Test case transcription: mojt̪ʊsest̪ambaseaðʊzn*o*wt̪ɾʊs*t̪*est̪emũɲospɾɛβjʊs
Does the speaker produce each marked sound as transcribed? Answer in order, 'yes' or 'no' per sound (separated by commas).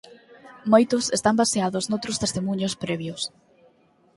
yes, yes